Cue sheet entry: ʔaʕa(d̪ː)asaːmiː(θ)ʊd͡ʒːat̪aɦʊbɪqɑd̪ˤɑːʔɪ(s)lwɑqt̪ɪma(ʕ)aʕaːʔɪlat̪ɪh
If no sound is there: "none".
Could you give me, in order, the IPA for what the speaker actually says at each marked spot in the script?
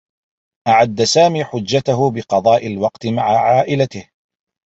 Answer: d̪ː, ħ, none, ʕ

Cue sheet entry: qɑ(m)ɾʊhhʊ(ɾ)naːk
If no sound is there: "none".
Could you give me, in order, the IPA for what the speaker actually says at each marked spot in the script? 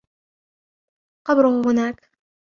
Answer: b, none

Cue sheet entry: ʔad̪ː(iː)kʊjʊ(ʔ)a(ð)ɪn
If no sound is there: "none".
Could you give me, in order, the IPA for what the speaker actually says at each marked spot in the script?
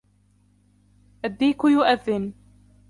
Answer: iː, ʔ, ðː

